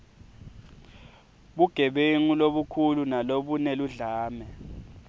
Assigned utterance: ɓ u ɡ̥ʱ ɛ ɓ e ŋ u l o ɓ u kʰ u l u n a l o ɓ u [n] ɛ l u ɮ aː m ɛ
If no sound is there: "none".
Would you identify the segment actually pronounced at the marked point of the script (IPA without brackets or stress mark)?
n